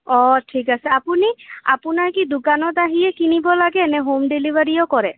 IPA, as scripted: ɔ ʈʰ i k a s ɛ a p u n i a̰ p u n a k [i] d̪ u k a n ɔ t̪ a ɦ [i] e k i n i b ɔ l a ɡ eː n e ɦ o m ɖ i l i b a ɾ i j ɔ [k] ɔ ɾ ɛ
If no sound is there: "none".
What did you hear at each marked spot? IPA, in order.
i, i, k

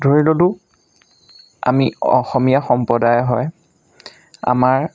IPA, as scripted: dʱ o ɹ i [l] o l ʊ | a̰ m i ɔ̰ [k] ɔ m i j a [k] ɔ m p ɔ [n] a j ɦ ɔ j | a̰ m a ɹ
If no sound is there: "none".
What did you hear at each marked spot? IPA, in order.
l, x, x, d

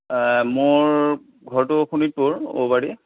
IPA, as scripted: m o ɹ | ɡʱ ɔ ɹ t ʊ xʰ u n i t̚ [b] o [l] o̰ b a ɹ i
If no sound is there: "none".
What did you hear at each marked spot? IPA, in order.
p, ɹ

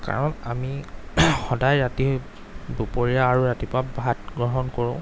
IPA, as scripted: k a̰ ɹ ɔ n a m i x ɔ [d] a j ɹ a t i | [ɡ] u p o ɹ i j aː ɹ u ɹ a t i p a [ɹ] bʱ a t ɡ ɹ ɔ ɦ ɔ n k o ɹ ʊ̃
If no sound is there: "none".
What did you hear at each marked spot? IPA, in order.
d, b, none

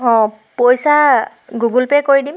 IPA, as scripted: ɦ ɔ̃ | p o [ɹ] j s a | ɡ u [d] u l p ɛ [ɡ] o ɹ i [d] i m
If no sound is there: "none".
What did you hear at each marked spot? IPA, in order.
none, ɡ, k, d

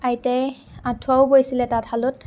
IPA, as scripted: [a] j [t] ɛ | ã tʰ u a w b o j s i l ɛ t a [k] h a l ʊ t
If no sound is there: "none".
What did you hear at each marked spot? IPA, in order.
a, t, t

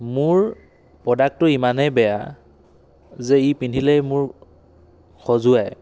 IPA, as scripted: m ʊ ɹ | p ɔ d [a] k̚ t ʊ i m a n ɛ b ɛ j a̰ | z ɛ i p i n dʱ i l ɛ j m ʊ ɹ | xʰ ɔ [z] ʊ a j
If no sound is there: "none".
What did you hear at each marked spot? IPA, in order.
a, z

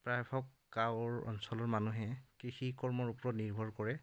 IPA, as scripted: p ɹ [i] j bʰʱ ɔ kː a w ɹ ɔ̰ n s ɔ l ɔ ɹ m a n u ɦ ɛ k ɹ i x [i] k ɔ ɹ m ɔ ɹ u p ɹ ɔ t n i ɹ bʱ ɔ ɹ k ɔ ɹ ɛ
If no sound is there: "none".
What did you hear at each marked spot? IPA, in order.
a, i

